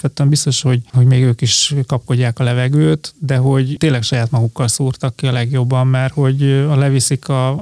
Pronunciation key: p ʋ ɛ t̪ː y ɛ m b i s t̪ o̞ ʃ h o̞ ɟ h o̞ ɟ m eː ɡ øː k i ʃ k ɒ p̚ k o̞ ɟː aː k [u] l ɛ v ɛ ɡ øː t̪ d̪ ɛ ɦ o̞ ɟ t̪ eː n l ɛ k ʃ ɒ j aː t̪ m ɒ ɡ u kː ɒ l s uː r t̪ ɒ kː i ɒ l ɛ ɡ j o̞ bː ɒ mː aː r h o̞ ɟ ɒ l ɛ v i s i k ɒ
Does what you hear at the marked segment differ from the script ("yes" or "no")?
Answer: yes